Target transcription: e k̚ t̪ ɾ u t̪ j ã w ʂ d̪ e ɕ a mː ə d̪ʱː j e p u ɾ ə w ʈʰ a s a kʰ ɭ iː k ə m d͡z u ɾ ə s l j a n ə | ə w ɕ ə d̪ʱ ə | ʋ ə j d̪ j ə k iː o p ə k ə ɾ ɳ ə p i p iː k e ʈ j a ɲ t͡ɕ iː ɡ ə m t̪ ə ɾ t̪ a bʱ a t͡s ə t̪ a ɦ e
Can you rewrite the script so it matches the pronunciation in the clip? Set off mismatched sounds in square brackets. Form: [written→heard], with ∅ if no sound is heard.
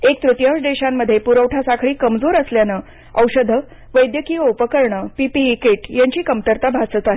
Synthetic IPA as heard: e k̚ t̪ ɾ u t̪ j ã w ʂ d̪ e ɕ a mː ə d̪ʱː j e p u ɾ ə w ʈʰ a s a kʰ ɭ iː k ə m d͡z [u→o] ɾ ə s l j a n ə | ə w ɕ ə d̪ʱ ə | ʋ ə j d̪ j ə k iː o p ə k ə ɾ ɳ ə p i p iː k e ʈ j a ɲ t͡ɕ iː [ɡ→k] ə m t̪ ə ɾ t̪ a bʱ a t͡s ə t̪ a ɦ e